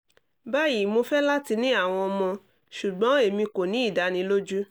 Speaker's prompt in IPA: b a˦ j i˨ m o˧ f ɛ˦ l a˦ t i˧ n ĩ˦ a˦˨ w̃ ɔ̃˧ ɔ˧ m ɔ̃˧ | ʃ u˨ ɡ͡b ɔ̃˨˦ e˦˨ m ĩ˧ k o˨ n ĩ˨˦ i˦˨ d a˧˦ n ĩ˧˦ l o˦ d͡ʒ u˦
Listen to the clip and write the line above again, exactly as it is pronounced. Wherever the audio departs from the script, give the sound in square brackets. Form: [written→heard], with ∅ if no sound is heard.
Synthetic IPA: b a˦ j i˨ m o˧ f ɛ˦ l a˦ t i˧ n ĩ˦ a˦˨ w̃ ɔ̃˧ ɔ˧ m ɔ̃˧ | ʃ u˨ ɡ͡b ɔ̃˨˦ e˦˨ m ĩ˧ k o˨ n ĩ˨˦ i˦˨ d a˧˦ n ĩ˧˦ l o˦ d͡ʒ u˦